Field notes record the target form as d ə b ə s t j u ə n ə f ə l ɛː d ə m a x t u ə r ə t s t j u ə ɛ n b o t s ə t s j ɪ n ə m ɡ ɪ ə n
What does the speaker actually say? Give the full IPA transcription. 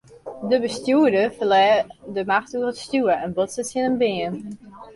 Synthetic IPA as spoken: d ə b ə s t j u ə d ə f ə l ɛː d ə m a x t u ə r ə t s t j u ə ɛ n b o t s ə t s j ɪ n ə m b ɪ ə n